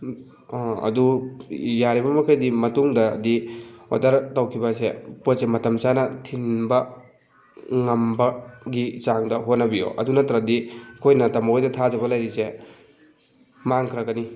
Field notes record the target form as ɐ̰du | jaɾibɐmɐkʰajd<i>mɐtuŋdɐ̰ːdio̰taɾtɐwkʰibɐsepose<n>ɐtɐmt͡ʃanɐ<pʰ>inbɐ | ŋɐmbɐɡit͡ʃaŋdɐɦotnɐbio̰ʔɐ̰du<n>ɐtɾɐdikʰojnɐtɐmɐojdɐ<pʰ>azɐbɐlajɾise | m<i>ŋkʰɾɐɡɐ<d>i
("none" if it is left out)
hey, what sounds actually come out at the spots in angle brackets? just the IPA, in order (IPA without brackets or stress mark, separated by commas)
i, m, tʰ, n, tʰ, a, n